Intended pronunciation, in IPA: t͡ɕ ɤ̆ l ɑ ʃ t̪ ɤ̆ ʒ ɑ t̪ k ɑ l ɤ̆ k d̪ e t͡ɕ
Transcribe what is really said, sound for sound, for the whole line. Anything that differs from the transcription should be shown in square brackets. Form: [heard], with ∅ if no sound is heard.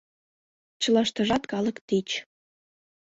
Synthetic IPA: t͡ɕ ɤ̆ l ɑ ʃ t̪ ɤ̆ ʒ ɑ t̪ k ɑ l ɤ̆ k [t̪] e t͡ɕ